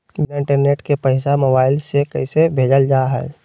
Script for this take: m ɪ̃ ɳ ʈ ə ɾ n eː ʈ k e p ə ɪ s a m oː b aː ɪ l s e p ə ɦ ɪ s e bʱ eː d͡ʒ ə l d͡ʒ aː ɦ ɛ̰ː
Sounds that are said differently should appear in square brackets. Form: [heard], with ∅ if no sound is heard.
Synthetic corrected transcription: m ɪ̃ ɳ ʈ ə ɾ n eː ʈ k e p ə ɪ s a m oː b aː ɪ l s e [k] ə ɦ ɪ s e bʱ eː d͡ʒ ə l d͡ʒ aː ɦ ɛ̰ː